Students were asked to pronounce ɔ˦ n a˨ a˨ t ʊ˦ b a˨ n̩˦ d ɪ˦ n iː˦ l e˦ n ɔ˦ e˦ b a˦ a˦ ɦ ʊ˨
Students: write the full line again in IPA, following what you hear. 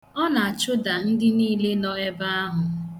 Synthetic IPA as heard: ɔ˦ n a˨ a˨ t͡ʃ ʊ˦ d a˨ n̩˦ d ɪ˦ n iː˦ l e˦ n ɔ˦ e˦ b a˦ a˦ ɦ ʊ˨